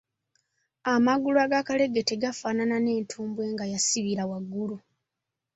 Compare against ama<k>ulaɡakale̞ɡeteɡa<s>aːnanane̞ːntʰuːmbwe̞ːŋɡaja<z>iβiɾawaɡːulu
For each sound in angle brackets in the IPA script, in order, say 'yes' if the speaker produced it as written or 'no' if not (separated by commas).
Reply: no, no, no